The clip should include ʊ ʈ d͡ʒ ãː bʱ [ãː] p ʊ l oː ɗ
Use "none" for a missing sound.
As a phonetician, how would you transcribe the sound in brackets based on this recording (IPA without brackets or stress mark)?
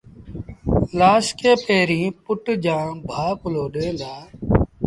aː